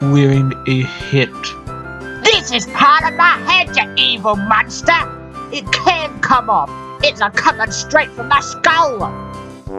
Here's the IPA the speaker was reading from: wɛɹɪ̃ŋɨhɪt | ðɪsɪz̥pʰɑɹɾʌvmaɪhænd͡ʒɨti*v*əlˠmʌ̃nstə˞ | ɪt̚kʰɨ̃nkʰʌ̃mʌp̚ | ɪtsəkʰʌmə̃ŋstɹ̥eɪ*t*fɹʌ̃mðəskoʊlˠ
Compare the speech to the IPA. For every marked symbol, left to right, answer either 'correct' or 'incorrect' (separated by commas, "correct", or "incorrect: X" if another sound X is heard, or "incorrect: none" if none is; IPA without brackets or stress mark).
correct, correct